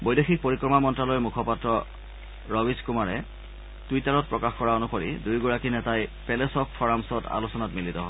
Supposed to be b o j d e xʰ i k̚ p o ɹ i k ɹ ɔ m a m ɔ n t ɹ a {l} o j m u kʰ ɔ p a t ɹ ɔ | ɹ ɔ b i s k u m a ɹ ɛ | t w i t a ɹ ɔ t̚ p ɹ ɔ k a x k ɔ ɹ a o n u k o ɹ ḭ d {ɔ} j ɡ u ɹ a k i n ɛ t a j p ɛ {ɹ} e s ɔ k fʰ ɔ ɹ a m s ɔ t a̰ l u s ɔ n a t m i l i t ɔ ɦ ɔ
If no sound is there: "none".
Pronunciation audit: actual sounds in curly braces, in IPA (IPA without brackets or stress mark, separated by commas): l, u, l